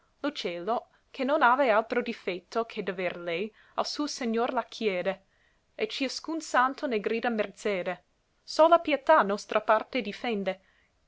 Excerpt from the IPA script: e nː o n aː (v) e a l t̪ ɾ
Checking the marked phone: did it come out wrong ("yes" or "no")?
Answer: no